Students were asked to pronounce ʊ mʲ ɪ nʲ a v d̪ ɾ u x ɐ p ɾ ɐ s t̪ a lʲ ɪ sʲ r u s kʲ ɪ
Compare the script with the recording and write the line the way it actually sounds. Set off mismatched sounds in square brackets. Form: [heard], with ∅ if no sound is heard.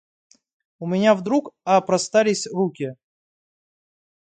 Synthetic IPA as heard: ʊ mʲ ɪ nʲ a v d̪ ɾ u [k] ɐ p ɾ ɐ s t̪ a lʲ ɪ sʲ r u [∅] kʲ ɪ